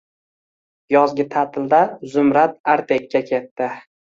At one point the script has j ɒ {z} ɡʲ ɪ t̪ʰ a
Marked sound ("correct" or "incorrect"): correct